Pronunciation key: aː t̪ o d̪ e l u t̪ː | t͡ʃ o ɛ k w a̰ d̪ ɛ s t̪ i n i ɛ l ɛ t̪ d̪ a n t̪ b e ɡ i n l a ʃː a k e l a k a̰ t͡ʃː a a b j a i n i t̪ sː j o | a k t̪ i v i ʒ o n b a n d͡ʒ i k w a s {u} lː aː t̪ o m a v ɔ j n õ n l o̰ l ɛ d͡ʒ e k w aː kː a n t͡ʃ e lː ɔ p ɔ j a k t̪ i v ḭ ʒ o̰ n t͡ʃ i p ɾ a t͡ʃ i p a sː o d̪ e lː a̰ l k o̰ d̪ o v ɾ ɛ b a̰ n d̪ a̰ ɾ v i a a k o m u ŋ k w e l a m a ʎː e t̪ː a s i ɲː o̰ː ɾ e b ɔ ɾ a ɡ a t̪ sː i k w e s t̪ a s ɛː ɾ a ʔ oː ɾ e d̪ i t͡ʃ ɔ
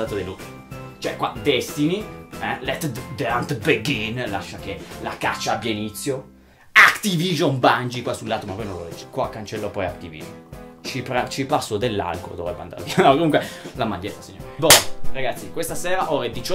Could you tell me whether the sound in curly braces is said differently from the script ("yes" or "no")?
no